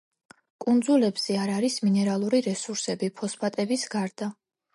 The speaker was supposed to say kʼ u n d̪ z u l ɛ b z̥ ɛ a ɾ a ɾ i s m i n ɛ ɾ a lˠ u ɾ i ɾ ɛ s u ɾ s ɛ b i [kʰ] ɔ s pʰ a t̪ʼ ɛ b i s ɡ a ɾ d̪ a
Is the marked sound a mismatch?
yes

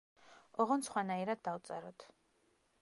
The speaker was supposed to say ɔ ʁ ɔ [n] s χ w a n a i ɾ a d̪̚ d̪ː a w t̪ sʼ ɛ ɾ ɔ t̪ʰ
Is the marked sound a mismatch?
no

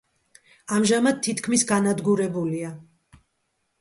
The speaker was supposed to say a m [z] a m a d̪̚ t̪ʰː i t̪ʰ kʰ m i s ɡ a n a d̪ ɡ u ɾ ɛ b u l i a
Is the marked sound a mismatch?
yes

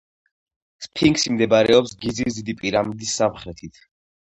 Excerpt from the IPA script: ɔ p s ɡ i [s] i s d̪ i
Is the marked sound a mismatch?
yes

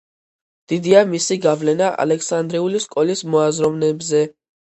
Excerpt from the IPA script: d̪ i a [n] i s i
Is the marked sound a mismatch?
yes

